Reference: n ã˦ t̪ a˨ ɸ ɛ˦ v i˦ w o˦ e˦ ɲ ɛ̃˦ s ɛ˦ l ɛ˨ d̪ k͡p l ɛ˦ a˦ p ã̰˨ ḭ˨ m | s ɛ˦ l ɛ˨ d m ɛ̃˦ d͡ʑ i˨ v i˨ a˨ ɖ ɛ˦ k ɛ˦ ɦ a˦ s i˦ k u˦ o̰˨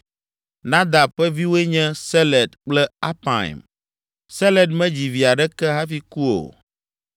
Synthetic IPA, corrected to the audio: n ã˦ d̪ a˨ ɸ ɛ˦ v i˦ w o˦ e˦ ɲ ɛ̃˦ s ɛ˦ l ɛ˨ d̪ k͡p l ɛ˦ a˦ p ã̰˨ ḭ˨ m | s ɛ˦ l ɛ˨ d m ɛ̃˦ d͡ʑ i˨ v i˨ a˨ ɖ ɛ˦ k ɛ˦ ɦ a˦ f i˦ k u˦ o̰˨